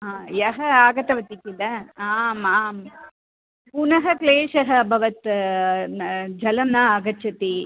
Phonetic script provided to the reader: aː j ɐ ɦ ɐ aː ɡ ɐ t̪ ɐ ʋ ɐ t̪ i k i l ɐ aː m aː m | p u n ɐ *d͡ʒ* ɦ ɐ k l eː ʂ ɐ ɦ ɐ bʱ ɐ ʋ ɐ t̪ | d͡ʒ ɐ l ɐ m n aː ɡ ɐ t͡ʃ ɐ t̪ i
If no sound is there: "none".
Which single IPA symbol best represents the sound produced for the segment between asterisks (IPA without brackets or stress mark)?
none